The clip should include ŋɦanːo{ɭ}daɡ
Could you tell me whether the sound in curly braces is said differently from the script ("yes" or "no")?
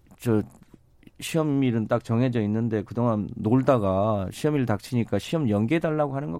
no